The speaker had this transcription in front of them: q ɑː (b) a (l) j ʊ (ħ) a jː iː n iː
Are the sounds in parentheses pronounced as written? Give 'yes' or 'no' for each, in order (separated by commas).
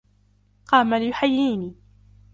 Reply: no, yes, yes